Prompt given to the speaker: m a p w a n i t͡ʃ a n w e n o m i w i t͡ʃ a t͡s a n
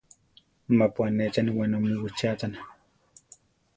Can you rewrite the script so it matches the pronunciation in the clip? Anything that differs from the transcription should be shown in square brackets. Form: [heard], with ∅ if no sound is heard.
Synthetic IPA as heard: m a p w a n [e] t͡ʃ a n w [a] n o m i w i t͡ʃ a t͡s a n